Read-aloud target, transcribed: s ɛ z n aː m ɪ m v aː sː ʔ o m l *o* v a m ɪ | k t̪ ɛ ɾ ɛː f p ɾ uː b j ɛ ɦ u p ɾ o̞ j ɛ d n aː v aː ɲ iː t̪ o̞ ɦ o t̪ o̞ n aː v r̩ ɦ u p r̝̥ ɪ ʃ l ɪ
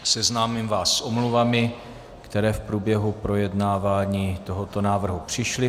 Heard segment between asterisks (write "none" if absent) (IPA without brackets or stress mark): u